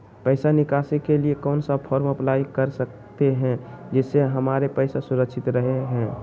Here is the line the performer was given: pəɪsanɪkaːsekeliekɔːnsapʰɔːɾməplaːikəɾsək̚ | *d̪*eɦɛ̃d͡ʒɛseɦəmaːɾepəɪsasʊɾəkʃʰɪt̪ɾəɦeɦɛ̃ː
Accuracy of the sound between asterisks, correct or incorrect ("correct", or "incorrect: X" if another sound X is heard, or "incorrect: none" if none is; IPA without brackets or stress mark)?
incorrect: t̪